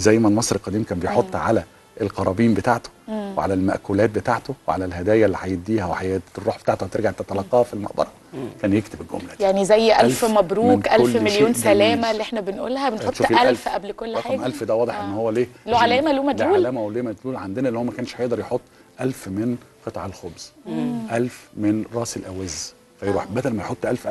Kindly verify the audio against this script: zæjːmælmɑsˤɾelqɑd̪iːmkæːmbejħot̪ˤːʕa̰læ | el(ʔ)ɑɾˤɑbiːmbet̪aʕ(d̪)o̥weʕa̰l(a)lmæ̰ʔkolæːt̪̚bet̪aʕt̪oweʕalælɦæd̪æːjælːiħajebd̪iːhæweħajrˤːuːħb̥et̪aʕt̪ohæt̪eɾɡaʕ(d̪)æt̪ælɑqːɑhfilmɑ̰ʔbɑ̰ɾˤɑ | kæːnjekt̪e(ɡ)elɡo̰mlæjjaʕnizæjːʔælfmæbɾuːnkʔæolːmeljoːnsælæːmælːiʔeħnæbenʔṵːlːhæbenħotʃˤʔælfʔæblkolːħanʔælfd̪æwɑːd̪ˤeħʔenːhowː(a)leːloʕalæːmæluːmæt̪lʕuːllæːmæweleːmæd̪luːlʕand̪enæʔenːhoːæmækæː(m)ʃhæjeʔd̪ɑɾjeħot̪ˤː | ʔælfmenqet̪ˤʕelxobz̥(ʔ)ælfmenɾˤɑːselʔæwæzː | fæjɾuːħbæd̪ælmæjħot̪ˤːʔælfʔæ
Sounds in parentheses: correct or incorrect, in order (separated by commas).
incorrect, incorrect, incorrect, incorrect, incorrect, incorrect, incorrect, correct